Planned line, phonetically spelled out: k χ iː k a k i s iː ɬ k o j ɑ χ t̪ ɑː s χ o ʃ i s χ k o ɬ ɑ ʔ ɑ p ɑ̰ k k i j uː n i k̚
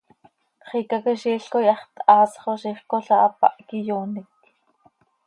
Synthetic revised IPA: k χ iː k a k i ʃ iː ɬ k o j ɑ χ t̪ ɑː s χ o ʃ i χ k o ɬ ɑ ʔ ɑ p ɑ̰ ʔ k i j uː n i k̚